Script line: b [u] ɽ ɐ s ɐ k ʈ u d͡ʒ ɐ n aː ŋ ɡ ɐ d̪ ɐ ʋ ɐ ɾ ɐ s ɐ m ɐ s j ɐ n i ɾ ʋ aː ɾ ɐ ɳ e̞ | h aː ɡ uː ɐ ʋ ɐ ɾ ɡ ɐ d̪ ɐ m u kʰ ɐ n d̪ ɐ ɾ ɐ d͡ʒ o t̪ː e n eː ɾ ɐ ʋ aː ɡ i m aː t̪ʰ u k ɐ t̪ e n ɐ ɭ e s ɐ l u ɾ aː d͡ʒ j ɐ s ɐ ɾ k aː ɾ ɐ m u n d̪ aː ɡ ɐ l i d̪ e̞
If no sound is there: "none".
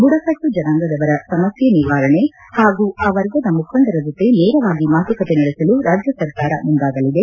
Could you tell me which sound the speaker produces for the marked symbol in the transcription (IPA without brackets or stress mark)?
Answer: u